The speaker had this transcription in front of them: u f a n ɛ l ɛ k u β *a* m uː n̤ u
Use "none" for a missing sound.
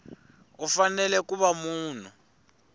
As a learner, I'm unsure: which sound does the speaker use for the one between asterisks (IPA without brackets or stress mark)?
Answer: a